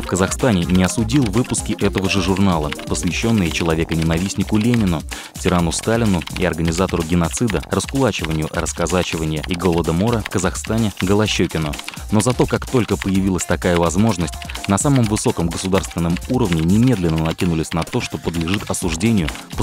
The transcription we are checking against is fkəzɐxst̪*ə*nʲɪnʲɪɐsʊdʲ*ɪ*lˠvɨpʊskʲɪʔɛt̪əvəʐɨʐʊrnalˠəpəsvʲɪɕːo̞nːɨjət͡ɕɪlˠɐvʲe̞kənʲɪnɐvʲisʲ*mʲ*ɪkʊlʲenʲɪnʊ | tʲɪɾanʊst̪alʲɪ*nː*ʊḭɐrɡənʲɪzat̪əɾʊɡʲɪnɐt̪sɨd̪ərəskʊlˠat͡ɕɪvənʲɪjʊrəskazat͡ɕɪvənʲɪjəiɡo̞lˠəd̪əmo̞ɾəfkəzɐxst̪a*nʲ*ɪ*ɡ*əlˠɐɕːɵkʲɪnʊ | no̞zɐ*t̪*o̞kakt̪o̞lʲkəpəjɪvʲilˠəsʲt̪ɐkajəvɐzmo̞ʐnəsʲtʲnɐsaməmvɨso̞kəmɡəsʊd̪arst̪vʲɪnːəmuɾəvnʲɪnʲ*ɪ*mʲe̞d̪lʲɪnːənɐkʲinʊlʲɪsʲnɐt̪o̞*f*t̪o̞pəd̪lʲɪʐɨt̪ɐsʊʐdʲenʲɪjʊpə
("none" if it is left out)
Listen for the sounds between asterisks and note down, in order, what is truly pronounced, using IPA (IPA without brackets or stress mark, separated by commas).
a, i, nʲ, n, nʲ, ɡ, t̪, ɪ, ʂ